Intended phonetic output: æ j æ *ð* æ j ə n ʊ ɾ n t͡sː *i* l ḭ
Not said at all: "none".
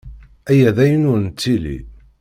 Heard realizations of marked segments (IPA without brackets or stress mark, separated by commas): ð, i